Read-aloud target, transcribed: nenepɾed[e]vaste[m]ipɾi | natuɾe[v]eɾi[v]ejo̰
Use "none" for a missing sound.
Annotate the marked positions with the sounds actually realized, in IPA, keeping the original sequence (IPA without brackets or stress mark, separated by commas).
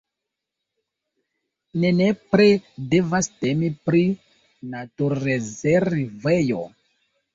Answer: e, m, z, v